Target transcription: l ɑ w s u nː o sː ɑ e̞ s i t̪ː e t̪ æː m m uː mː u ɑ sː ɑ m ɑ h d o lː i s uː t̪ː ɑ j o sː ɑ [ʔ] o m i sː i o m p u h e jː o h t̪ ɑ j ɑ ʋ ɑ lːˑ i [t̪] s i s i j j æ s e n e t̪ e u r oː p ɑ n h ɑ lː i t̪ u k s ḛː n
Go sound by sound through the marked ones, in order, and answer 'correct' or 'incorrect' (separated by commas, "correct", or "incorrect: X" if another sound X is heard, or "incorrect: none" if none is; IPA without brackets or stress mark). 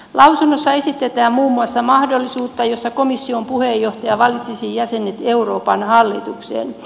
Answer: incorrect: k, correct